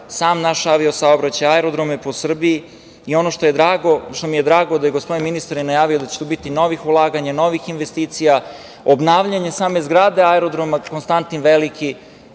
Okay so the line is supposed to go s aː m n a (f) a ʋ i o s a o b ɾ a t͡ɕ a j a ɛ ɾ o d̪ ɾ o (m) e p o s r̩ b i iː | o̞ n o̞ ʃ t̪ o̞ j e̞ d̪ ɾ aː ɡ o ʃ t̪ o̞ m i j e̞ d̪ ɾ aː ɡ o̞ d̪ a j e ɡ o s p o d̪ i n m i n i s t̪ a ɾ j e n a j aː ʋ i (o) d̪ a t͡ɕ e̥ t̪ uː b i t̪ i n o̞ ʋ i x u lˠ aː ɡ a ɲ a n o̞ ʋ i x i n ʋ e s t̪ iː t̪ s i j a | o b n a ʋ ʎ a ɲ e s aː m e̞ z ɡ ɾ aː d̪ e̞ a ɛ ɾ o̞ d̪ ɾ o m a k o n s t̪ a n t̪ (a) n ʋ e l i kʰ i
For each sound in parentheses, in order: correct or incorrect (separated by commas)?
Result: incorrect, correct, correct, incorrect